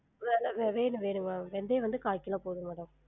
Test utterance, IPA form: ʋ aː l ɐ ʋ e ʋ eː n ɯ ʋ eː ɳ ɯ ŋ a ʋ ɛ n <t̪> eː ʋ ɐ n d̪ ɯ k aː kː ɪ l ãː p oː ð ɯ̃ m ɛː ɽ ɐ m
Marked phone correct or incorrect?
incorrect